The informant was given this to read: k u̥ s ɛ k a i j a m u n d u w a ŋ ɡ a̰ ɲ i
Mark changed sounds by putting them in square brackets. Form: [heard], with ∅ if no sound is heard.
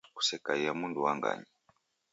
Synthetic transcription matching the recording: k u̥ s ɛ k a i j a m u n d u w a ŋ ɡ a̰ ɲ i

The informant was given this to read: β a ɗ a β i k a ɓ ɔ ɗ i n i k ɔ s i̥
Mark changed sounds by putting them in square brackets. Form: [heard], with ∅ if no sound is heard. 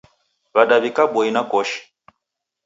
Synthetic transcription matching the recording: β a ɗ a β i k a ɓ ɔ [∅] i n [a] k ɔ [ʃ] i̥

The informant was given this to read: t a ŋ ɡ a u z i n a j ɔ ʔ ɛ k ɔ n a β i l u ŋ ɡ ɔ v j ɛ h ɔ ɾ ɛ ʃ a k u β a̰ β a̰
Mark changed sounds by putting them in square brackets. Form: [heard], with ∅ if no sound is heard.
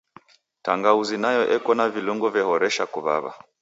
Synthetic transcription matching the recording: t a ŋ ɡ a u z i n a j ɔ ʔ ɛ k ɔ n a [v] i l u ŋ ɡ ɔ v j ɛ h ɔ ɾ ɛ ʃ a k u β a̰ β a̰

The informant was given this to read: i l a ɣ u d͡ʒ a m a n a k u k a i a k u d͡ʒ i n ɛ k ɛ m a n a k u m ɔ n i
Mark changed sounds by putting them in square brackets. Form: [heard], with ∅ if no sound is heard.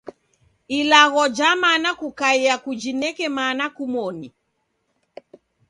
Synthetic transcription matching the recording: i l a ɣ [ɔ] d͡ʒ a m a n a k u k a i a k u d͡ʒ i n ɛ k ɛ m a n a k u m ɔ n i

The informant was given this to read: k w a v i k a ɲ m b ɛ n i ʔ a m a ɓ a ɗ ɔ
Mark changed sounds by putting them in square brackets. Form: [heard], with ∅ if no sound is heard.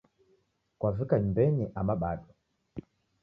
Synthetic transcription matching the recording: k w a v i k a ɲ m b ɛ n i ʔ a m a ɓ a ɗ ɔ

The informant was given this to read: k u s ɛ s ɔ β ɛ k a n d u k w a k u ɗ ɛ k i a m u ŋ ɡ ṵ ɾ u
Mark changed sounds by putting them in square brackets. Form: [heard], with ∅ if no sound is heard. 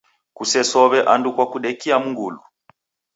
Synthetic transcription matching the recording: k u s ɛ s ɔ β ɛ [ʔ] a n d u k w a k u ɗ ɛ k i a m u ŋ ɡ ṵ [l] u

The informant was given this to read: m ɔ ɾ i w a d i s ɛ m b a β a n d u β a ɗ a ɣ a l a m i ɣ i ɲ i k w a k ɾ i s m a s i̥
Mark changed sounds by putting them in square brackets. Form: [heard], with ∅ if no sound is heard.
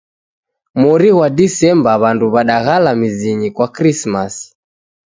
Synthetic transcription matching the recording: m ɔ ɾ i w a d i s ɛ m b a β a n d u β a ɗ a ɣ a l a m i [z] i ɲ i k w a k ɾ i s m a s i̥

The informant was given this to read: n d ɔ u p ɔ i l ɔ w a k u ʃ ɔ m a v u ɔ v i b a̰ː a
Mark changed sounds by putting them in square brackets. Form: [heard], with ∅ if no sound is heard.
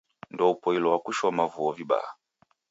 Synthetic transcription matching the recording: n d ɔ u p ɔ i l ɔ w a k u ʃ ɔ m a v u ɔ v i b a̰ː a

